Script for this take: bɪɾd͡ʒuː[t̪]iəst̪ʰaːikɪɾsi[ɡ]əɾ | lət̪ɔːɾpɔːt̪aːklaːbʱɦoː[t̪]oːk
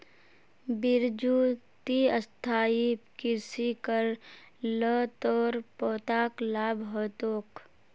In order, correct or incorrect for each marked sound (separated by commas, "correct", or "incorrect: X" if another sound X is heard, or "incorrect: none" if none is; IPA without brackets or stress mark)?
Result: correct, incorrect: k, correct